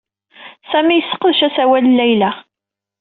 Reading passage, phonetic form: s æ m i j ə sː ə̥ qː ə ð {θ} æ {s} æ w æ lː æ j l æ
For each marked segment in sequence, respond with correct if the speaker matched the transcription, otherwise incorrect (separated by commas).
incorrect, correct